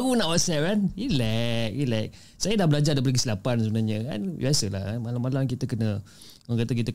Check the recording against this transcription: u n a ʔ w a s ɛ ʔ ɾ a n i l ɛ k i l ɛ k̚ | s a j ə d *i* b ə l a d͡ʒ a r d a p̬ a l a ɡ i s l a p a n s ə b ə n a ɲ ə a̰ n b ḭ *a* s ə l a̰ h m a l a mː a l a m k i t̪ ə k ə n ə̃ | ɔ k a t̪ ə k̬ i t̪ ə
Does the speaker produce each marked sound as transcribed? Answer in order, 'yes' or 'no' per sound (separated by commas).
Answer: no, yes